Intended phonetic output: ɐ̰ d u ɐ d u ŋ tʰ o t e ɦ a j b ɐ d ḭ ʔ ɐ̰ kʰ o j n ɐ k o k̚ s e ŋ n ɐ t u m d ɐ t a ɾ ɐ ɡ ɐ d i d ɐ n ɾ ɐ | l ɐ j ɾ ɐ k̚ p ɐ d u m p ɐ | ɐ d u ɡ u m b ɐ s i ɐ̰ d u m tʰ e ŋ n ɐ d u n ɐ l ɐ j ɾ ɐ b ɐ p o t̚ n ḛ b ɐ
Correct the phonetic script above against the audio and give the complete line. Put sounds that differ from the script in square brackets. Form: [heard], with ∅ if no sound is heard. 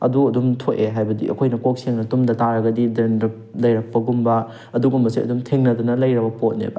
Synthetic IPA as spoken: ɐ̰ d u ɐ d u [m] tʰ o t e ɦ a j b ɐ d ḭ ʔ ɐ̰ kʰ o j n ɐ k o k̚ s e ŋ n ɐ t u m d ɐ t a ɾ ɐ ɡ ɐ d i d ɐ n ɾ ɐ | l ɐ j ɾ ɐ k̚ p ɐ [ɡ] u m [b] ɐ | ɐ d u ɡ u m b ɐ s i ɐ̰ d u m tʰ e ŋ n ɐ d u n ɐ l ɐ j ɾ ɐ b ɐ p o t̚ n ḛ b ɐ